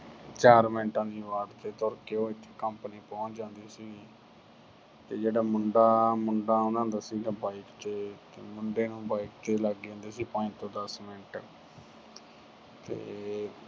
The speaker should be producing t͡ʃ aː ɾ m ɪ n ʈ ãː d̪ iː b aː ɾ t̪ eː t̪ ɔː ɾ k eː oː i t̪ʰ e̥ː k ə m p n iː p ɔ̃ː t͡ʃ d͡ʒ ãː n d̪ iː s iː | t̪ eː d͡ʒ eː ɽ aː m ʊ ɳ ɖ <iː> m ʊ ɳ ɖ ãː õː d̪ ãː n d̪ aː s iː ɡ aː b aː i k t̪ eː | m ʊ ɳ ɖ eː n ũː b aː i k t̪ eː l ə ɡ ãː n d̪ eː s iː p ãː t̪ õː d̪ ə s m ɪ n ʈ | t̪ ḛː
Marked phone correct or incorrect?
incorrect